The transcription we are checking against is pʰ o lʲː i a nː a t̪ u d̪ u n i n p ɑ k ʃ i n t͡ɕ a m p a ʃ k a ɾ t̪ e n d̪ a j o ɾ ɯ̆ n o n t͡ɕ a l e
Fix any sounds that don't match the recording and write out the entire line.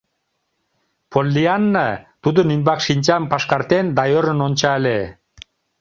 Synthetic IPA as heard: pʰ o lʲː i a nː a t̪ u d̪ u n i n b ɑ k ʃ i n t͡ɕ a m p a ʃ k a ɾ t̪ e n d̪ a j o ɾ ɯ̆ n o n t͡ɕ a l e

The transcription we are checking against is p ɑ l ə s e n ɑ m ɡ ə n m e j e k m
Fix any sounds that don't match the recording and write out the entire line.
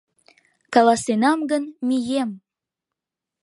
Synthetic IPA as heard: k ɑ l ɑ s e n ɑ m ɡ ə n m i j e m

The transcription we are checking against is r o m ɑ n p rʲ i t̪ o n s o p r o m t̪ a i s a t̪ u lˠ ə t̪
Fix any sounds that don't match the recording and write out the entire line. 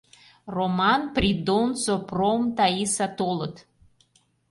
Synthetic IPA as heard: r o m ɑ n p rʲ i d̪ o n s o p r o m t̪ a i s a t̪ o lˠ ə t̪

